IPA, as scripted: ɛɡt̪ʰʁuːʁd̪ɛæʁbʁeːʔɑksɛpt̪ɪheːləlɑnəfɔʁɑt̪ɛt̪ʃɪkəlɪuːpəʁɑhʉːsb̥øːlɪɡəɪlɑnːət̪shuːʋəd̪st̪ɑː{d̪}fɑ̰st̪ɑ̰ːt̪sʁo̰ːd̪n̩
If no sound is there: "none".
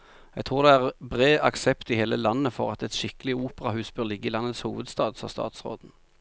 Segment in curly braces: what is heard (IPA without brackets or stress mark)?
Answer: d̪